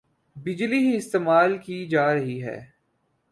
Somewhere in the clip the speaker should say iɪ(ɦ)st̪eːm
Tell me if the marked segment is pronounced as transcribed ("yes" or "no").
no